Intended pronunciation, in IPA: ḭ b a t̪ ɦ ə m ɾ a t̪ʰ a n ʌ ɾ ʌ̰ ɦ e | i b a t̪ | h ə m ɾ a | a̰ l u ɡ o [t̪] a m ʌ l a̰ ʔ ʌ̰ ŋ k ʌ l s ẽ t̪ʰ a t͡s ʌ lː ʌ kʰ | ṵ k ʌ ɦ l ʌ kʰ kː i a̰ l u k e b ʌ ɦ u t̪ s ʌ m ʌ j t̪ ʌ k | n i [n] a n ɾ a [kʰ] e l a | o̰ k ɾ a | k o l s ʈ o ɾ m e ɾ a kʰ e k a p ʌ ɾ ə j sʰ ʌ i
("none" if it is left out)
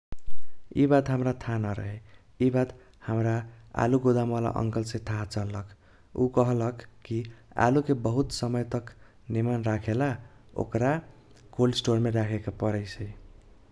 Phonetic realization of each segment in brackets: d̪, m, kʰ

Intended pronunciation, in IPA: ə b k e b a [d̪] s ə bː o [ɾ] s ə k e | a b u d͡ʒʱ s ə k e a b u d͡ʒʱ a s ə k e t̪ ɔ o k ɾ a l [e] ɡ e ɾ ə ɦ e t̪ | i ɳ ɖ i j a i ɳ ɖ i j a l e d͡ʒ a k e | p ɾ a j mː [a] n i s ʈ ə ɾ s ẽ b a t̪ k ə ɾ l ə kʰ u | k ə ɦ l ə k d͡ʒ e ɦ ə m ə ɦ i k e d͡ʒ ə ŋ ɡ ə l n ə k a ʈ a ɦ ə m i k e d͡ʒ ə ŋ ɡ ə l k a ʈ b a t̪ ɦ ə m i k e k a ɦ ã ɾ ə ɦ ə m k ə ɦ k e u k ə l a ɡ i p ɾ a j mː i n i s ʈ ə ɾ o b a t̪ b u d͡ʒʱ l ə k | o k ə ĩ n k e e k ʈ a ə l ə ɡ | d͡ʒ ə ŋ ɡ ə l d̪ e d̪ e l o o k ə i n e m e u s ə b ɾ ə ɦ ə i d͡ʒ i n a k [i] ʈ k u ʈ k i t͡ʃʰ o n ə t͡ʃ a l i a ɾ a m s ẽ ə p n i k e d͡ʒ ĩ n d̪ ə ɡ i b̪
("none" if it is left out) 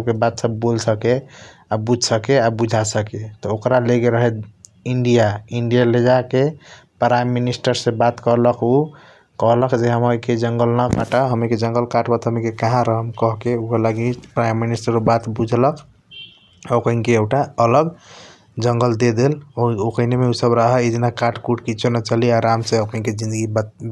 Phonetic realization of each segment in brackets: t̪, l, e, i, a

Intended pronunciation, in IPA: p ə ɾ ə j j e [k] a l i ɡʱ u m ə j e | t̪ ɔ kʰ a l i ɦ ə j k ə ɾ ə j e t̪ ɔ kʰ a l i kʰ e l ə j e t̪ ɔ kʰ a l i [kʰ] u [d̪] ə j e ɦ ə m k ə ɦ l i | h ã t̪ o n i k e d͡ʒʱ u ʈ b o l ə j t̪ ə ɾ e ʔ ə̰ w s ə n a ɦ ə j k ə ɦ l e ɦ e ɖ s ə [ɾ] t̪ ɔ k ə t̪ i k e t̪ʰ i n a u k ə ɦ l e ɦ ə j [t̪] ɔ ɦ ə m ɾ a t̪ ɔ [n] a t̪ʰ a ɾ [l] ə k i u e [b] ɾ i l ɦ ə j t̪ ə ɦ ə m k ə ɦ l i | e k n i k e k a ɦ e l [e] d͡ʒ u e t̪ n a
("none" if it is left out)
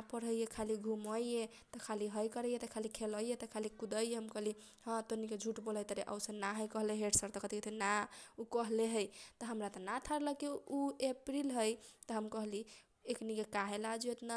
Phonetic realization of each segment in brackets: kʰ, k, d̪, ɾ, t̪, n, l, p, a

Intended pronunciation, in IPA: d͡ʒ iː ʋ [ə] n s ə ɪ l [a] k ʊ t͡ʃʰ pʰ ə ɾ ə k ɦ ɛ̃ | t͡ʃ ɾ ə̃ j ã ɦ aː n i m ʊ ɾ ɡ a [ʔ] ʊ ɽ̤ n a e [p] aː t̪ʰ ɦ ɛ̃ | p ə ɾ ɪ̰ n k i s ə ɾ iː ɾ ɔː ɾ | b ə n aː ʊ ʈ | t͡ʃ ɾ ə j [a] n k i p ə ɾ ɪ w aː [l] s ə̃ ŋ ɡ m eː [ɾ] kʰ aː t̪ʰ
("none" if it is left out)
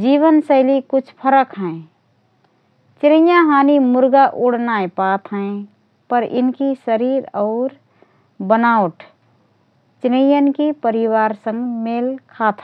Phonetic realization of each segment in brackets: ə, i, ʔ, p, ə, ɾ, l

